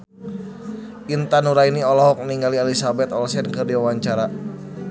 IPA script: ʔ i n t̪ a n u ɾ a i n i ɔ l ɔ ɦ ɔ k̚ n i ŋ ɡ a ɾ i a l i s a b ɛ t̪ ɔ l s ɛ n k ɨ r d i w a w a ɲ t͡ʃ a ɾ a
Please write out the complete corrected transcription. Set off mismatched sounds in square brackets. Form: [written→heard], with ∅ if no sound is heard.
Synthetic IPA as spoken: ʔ i n t̪ a n u ɾ a i n i ɔ l ɔ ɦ ɔ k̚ n i ŋ ɡ a [ɾ→l] i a l i s a b ɛ t̪ ɔ l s ɛ n k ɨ r d i w a w a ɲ t͡ʃ a ɾ a